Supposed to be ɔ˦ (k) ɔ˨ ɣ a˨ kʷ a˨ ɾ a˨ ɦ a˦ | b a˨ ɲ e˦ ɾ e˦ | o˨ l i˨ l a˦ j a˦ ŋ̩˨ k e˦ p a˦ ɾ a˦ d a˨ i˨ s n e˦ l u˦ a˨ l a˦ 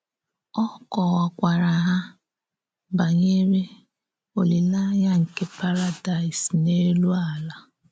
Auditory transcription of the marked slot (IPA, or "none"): k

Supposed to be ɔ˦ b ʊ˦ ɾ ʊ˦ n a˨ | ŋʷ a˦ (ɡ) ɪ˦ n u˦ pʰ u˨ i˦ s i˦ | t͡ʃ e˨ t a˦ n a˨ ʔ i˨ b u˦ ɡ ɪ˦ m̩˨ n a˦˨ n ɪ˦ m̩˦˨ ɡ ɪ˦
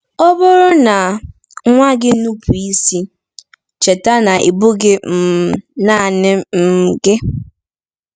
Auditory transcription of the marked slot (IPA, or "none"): ɡ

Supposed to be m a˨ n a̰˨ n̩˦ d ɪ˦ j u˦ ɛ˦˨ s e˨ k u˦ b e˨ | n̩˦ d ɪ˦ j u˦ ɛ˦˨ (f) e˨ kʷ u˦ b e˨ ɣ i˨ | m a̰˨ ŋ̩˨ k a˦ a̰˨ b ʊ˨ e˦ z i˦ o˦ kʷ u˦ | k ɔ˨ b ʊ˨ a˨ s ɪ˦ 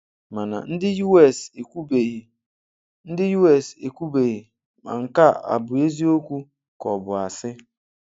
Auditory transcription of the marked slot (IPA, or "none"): s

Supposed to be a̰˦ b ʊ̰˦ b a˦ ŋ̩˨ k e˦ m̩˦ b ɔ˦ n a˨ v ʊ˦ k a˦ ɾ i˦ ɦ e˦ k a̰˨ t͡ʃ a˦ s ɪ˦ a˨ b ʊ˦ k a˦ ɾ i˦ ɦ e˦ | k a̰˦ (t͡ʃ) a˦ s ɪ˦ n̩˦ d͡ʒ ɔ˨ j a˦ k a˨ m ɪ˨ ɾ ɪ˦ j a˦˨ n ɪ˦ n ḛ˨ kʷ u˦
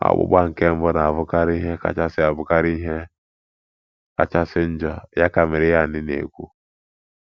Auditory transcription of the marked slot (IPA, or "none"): t͡ʃ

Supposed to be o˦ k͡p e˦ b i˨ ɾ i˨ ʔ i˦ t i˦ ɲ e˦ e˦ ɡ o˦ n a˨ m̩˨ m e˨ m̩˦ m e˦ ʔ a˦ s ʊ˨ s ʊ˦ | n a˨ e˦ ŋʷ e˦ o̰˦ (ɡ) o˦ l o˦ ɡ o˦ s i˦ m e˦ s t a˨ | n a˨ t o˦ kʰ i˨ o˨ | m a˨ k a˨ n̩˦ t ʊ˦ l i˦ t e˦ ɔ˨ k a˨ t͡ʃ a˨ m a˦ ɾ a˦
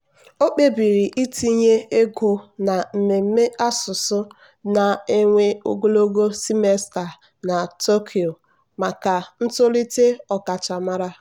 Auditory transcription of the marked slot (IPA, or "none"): ɡ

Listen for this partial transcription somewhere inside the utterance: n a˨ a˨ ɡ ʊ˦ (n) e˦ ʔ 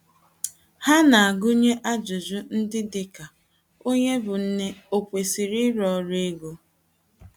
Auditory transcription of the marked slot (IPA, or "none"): ɲ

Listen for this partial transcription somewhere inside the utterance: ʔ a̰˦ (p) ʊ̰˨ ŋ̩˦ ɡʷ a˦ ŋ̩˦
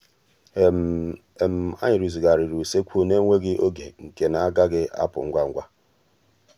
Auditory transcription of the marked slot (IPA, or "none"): p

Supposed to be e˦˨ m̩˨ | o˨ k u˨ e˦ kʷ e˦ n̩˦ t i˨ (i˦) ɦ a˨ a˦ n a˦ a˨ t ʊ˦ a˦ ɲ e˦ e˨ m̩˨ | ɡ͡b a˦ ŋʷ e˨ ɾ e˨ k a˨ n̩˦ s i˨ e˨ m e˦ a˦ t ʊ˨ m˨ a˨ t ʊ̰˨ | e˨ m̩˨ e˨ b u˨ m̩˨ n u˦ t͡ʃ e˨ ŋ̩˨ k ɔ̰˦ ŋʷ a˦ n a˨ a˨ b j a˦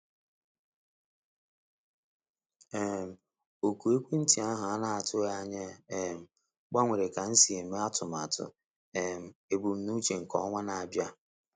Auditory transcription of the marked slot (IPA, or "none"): a˦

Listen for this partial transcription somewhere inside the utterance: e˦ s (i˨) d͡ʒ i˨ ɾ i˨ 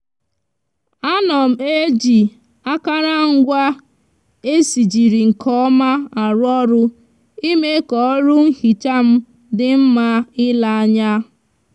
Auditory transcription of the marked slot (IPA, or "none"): i˨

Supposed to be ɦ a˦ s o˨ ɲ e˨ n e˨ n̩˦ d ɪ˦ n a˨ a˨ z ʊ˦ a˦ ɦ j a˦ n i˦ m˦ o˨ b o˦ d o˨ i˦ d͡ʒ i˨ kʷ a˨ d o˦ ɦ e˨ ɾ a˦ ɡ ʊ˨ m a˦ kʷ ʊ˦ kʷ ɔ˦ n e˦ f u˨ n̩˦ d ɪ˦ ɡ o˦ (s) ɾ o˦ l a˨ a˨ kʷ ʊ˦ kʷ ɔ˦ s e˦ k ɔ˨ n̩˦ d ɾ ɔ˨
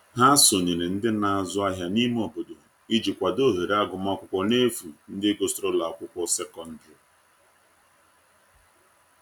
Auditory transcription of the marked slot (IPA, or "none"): s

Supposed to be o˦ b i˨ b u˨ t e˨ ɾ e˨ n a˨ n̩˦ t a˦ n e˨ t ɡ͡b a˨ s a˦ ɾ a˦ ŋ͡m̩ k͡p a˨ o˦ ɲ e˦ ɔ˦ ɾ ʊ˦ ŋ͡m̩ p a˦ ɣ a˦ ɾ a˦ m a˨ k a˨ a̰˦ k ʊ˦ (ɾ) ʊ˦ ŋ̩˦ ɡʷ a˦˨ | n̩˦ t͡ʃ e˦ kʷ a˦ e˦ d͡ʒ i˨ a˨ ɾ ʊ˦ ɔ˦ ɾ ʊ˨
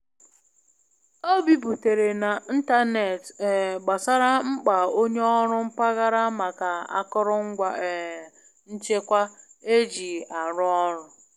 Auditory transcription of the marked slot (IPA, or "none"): ɾ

